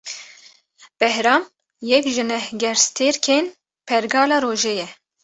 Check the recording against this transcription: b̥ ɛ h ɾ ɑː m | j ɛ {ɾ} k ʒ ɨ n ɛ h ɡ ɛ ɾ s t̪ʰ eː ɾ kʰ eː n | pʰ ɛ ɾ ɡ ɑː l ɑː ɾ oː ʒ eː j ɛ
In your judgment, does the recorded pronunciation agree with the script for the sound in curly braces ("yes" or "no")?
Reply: no